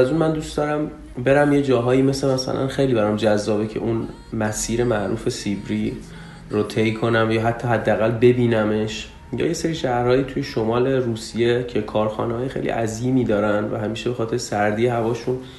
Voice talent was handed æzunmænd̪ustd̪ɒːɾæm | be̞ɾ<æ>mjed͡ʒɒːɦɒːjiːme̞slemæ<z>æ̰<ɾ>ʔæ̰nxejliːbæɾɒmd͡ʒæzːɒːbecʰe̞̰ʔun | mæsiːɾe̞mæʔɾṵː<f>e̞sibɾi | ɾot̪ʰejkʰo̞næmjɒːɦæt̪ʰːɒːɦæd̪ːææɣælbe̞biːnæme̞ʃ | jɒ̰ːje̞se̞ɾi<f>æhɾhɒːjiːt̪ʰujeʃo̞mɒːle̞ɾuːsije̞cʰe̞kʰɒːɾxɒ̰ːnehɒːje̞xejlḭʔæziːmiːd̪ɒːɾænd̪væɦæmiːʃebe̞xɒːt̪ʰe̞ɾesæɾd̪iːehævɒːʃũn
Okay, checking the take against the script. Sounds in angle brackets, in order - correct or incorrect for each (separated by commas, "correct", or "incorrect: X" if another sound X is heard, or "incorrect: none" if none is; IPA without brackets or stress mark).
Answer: correct, incorrect: s, incorrect: l, correct, incorrect: ʃ